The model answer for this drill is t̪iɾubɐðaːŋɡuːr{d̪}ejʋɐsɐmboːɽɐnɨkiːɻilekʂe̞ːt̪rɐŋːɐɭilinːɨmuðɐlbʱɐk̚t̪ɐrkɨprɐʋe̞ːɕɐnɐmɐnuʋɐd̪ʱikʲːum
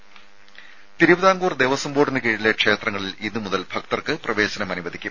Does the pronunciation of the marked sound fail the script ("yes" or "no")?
no